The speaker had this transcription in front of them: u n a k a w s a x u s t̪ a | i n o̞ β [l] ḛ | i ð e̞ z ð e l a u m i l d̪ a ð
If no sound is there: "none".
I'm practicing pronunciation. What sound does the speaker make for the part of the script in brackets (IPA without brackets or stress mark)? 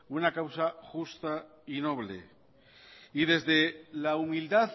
l